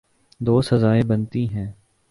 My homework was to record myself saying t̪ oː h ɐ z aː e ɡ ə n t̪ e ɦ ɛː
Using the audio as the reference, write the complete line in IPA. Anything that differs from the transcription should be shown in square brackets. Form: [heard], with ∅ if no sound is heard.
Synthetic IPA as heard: [d̪] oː [s] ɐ z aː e [b] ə n t̪ [i] ɦ [ɛ̃ː]